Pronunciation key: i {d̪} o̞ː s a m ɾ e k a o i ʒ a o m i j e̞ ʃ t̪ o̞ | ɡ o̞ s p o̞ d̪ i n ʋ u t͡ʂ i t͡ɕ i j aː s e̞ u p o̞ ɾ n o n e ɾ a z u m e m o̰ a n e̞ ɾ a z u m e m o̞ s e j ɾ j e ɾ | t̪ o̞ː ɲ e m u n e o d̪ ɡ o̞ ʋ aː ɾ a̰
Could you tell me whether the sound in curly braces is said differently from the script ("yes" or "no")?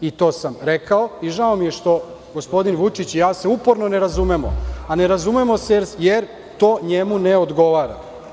yes